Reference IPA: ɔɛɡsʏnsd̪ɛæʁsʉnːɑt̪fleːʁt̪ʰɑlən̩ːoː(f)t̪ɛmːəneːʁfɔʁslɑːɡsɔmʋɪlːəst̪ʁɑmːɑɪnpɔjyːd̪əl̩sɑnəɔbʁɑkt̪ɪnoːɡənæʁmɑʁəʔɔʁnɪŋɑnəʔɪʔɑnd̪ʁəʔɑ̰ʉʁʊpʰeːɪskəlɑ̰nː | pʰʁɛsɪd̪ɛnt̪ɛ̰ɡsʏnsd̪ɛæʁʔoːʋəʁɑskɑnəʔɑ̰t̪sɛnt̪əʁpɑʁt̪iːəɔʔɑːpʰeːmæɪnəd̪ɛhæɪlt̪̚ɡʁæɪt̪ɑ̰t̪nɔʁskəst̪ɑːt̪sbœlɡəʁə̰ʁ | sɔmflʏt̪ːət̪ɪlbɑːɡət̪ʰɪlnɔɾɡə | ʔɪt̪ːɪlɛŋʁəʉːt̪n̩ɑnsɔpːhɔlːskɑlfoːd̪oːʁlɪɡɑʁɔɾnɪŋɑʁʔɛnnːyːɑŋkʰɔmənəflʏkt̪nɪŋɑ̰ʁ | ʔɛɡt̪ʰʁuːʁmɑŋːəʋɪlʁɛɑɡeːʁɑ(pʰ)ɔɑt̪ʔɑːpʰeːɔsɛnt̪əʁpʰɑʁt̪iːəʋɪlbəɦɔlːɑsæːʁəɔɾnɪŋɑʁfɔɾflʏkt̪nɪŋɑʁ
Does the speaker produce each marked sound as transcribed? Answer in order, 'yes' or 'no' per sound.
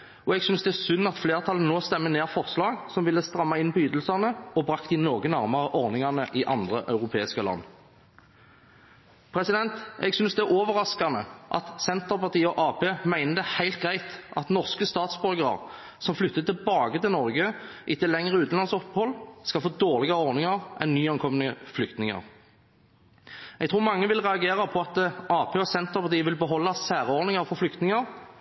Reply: no, yes

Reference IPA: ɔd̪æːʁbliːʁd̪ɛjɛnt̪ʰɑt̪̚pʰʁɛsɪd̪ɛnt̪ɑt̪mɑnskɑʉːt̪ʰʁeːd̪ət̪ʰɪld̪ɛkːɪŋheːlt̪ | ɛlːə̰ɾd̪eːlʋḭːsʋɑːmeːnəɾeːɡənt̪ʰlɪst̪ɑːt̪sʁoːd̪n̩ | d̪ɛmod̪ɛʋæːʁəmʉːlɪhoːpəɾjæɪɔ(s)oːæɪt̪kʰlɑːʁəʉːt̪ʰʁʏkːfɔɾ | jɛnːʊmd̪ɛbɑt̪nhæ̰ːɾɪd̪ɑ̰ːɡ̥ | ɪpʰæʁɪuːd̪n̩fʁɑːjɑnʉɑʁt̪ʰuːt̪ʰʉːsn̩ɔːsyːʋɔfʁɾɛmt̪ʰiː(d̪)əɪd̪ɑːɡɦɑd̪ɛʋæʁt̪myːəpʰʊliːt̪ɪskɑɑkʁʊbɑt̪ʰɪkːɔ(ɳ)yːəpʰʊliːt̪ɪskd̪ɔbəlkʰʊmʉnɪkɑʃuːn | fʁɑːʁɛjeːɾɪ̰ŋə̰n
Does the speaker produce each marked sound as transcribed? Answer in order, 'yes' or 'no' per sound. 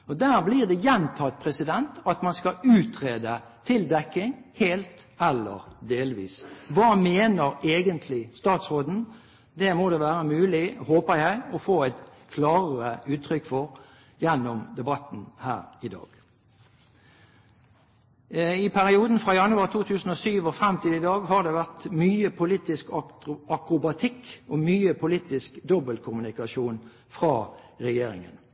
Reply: no, yes, no

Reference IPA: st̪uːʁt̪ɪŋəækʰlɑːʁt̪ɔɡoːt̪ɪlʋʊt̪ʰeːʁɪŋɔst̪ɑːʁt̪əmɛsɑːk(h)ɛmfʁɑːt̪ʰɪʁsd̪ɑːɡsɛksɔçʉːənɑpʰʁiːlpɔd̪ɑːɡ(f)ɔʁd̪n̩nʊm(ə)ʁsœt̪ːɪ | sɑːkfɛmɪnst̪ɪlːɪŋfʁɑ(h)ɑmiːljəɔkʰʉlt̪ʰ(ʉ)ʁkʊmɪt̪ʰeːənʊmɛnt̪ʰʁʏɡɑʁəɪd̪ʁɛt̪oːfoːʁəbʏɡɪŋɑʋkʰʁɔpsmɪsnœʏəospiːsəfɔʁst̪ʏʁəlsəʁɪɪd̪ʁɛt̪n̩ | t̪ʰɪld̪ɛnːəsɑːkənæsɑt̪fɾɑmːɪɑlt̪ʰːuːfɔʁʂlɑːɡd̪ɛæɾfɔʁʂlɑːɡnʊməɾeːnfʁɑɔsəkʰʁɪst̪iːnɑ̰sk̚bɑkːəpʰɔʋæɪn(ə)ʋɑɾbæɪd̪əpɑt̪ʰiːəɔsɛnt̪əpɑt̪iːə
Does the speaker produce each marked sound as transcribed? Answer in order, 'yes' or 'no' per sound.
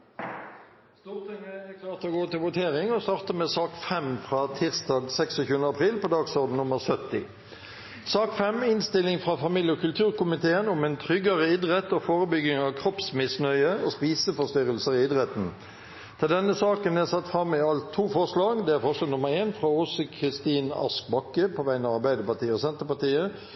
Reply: no, no, yes, no, no, no

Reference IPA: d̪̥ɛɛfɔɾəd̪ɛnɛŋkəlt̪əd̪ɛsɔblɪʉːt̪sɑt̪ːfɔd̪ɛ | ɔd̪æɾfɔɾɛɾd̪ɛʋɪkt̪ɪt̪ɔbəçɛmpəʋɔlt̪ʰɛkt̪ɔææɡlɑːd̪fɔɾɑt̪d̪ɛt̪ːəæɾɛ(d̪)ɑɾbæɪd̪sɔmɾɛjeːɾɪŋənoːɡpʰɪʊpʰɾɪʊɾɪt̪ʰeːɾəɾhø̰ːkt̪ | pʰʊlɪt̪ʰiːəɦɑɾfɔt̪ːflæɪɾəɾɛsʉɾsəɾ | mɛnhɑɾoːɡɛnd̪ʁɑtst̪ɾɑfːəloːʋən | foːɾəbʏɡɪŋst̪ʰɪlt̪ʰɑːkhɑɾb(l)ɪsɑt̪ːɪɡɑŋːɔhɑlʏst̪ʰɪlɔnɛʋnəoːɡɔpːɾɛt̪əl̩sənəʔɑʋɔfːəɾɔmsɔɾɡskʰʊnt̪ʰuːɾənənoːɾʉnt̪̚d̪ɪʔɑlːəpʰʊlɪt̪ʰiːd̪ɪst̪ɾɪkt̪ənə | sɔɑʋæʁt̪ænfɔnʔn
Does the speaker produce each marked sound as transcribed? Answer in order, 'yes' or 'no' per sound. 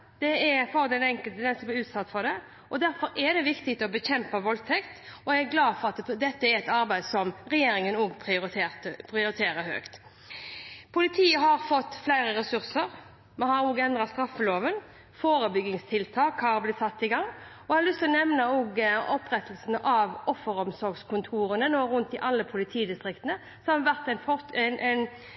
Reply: no, yes

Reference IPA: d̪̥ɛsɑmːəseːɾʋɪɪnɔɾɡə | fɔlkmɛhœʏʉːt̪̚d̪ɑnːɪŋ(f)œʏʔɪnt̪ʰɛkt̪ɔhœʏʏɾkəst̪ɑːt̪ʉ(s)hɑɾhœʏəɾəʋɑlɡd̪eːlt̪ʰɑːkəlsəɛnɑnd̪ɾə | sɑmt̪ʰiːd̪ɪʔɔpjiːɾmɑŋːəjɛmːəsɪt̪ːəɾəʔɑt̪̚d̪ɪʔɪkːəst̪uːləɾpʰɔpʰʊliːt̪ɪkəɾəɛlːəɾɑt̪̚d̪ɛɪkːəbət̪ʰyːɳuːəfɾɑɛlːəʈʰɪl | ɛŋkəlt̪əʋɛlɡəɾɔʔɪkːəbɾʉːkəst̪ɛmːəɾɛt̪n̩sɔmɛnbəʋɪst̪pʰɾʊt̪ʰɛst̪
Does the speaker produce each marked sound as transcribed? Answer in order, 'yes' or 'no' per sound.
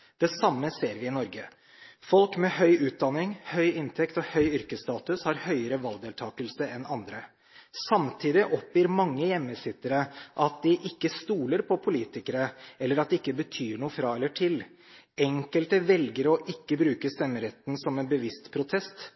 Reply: no, yes

